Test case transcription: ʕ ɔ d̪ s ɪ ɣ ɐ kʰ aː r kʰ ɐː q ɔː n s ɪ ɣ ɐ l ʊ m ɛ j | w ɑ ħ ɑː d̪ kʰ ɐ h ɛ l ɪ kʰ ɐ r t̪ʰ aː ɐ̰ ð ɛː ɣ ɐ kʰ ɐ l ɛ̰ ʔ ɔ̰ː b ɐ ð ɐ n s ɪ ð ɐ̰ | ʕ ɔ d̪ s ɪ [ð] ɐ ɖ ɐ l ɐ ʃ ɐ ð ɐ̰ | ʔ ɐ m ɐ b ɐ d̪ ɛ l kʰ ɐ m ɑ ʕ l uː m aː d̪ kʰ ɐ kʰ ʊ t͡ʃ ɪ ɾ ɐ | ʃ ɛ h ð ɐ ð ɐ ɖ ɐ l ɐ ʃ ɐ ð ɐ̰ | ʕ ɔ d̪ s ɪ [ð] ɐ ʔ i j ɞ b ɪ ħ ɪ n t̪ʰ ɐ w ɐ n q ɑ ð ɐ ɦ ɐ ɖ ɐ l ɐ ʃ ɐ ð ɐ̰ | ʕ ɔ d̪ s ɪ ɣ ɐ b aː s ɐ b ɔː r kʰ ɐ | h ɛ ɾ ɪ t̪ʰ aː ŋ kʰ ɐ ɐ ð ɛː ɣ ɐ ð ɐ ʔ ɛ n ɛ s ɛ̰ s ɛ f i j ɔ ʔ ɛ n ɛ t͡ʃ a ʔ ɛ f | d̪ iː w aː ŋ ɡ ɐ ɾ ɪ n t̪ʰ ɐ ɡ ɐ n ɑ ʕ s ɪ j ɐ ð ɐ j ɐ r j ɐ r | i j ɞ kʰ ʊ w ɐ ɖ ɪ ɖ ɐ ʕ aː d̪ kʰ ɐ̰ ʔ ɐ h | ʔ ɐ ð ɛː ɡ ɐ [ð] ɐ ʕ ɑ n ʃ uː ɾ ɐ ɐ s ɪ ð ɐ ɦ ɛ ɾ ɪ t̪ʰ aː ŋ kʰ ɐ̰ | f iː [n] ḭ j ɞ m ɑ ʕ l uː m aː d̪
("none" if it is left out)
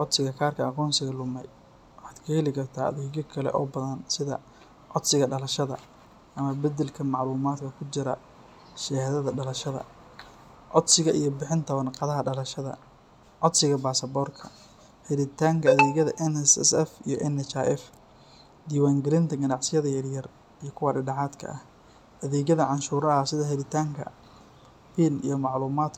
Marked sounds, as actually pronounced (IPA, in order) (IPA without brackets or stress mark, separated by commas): ɣ, ɣ, ð, n